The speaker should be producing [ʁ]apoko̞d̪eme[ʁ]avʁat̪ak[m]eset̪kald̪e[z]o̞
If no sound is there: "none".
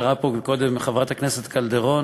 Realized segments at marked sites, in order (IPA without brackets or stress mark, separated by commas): ʁ, χ, n, ʁ